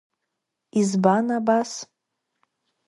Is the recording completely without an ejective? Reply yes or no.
yes